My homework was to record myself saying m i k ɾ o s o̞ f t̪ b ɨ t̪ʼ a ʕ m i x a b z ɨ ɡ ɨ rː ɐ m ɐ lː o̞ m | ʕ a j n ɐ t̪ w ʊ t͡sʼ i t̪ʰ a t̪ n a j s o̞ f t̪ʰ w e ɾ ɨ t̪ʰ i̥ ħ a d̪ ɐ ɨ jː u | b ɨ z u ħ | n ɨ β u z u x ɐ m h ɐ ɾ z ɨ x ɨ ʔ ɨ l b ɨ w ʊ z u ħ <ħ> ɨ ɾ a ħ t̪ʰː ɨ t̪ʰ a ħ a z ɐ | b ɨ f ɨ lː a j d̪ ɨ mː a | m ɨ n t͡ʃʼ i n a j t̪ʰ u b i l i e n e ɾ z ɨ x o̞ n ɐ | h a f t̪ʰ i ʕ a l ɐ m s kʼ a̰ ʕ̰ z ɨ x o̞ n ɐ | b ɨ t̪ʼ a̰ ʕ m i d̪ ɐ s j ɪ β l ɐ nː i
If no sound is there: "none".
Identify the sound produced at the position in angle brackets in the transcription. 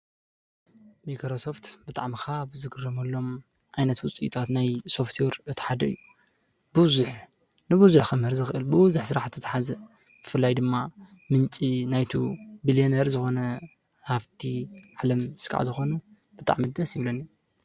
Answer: s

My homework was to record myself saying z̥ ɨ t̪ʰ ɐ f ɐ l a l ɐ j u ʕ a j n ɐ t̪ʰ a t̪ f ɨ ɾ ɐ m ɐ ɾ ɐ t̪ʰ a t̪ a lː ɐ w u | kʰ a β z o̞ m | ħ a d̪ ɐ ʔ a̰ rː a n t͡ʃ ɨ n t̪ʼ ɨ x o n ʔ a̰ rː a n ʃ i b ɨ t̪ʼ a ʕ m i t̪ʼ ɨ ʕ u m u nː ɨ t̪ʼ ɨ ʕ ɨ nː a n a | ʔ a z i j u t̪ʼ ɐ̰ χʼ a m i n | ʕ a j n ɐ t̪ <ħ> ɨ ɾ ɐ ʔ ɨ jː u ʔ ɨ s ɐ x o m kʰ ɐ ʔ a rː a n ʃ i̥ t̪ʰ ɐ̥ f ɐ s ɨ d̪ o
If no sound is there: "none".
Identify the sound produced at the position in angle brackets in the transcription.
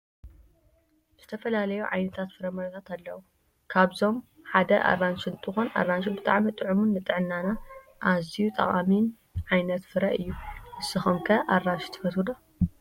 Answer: f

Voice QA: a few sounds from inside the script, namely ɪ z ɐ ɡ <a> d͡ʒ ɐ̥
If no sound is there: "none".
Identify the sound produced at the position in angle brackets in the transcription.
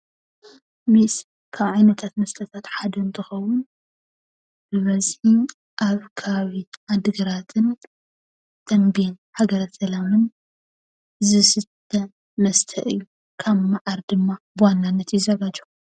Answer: a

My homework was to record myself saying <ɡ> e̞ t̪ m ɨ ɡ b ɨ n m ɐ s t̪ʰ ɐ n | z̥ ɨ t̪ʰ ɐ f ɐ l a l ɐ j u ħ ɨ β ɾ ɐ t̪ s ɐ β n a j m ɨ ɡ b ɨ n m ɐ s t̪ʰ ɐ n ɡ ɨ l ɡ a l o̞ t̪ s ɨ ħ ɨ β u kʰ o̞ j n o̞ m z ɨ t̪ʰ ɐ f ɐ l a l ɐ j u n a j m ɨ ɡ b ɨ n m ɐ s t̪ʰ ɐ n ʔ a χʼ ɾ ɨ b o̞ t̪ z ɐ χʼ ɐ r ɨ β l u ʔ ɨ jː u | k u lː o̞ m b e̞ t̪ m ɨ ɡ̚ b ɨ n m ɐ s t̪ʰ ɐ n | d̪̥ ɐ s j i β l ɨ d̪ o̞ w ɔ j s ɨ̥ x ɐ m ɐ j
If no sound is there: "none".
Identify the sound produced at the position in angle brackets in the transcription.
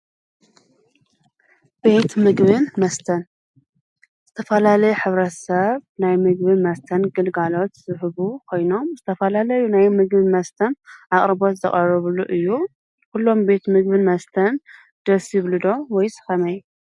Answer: b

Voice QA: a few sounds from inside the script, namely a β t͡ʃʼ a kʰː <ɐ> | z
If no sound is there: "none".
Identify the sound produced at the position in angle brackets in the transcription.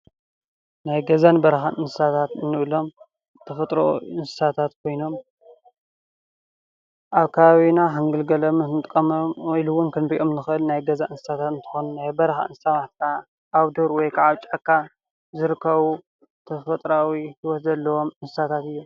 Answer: a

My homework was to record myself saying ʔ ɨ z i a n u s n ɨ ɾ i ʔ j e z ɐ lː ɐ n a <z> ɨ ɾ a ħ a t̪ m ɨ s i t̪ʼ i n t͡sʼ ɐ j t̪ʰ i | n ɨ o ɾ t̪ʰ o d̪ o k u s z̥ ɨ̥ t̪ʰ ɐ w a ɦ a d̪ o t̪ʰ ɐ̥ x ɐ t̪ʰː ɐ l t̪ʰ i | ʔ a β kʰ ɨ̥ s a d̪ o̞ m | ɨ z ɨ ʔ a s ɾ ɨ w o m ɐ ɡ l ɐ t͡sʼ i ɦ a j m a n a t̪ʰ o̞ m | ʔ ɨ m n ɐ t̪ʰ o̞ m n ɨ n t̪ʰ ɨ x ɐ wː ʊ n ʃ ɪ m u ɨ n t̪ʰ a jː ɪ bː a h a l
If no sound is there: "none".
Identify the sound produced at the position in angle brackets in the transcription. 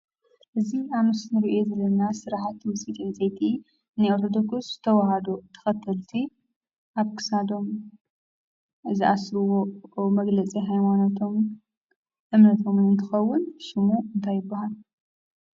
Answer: s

